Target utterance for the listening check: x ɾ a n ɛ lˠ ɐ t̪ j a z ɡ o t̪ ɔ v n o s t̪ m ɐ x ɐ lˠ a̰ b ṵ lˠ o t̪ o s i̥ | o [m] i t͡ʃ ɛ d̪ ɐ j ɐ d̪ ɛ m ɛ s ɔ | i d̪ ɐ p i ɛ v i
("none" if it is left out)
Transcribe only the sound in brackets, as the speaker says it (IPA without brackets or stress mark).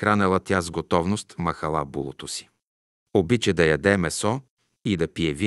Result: b